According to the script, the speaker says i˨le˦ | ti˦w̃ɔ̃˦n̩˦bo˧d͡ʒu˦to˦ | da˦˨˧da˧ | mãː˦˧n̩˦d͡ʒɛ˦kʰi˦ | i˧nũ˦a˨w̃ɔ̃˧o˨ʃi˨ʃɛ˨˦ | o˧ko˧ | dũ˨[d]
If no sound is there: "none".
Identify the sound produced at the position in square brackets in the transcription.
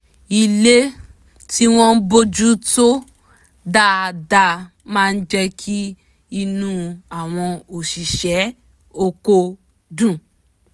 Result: none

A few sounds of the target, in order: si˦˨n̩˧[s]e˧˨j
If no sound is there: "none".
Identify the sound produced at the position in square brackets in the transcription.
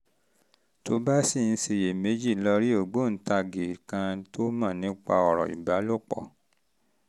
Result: s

